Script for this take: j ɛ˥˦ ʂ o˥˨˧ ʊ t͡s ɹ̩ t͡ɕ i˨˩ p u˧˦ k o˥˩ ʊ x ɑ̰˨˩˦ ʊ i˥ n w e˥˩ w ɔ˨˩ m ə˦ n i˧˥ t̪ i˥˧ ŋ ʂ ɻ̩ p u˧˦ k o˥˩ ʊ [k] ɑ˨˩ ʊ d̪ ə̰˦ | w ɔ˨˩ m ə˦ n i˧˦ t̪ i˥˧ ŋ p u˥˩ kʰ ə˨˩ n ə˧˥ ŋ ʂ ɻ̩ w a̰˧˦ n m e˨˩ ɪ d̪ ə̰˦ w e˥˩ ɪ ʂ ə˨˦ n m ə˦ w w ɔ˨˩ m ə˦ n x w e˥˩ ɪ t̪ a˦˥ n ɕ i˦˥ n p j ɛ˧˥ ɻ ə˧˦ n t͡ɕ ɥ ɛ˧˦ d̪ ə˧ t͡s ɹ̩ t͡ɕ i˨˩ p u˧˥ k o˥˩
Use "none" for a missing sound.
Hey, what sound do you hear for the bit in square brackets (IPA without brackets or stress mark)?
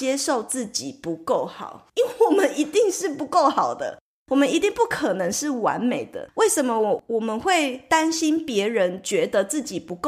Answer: x